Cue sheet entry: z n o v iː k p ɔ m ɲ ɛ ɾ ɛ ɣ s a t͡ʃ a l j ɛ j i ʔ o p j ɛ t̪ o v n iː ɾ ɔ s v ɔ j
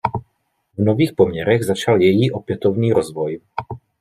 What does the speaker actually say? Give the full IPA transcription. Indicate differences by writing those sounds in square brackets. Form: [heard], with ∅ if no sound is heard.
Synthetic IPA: [v] n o v iː [x] p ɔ m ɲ ɛ ɾ ɛ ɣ [z] a t͡ʃ a l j ɛ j i ʔ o p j ɛ t̪ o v n iː ɾ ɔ [z] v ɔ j